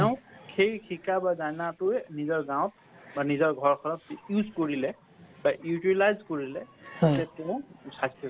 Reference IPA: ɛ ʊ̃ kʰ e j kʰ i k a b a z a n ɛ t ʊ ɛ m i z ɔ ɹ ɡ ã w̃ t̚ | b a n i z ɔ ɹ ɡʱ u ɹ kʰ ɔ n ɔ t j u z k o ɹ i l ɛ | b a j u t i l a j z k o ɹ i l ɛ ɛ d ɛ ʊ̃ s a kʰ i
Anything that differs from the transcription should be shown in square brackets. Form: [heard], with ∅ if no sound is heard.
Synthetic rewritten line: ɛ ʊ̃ kʰ e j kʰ i k a b a z a n [a] t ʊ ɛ [n] i z ɔ ɹ ɡ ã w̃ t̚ | b a n i z ɔ ɹ ɡʱ [ɔ] ɹ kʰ ɔ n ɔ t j u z k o ɹ i l ɛ | b a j u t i l a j z k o ɹ i l ɛ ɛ [t] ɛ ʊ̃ s a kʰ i